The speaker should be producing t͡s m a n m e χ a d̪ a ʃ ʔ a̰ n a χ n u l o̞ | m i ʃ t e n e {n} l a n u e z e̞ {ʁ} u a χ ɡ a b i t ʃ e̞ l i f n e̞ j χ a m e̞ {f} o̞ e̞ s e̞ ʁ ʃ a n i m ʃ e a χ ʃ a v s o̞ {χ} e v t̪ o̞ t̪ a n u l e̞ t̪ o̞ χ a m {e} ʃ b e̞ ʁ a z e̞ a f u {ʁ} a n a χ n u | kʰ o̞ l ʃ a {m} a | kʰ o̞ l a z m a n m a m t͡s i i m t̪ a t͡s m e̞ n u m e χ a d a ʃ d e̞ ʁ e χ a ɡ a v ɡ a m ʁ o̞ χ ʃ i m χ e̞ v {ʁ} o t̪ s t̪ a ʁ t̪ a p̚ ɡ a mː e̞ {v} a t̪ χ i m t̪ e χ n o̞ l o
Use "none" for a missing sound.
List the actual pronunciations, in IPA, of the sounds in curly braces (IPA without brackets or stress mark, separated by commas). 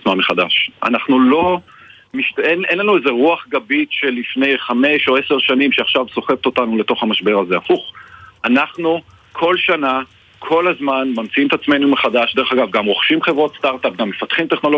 n, ʁ, ʃ, χ, a, χ, n, ʁ, f